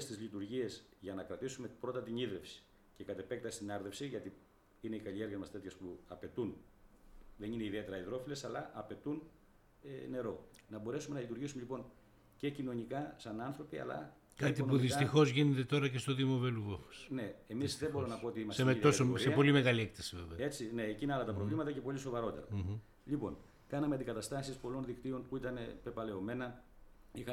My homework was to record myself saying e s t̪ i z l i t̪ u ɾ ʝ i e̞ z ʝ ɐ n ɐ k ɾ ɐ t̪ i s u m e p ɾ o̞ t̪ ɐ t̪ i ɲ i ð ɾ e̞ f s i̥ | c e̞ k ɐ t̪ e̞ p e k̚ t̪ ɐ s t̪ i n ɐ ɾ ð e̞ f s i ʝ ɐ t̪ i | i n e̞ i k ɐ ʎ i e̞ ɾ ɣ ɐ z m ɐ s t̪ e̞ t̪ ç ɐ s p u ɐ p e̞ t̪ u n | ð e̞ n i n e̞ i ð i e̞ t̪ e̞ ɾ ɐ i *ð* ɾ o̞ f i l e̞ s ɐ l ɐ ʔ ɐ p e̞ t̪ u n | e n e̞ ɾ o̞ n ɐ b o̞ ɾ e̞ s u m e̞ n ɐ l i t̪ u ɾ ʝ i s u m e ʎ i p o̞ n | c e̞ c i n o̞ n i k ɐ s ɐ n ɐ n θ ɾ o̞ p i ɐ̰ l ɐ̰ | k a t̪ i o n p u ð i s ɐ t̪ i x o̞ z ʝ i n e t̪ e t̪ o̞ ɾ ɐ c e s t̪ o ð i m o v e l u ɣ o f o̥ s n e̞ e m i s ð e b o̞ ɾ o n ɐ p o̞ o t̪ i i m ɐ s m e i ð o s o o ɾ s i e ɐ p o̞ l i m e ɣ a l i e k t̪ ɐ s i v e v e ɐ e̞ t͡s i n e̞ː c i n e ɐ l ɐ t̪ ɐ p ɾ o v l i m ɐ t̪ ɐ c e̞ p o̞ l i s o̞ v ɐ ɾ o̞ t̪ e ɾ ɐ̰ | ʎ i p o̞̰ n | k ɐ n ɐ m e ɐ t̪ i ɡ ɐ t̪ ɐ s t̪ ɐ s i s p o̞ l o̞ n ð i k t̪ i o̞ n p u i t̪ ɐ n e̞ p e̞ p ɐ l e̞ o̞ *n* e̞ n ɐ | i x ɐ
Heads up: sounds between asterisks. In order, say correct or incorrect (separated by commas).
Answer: correct, incorrect